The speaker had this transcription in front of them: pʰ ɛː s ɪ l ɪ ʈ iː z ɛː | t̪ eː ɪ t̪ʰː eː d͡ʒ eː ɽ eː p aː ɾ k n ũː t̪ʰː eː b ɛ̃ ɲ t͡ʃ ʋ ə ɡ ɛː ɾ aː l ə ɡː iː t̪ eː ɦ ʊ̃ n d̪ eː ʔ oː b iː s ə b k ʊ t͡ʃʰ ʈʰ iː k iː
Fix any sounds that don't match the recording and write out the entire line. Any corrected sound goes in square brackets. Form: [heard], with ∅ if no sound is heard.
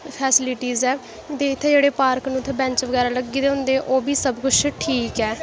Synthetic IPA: pʰ ɛː s ɪ l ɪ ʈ iː z ɛː | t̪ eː ɪ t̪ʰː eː d͡ʒ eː ɽ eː p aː ɾ k n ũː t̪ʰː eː b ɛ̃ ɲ t͡ʃ ʋ ə ɡ ɛː ɾ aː l ə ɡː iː [d̪] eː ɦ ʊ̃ n d̪ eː ʔ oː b iː s ə b k ʊ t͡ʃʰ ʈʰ iː k [ɛː]